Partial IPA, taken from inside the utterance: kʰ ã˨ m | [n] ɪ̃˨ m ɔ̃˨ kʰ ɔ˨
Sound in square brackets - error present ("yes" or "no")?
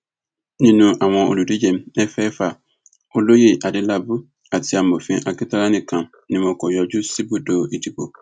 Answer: no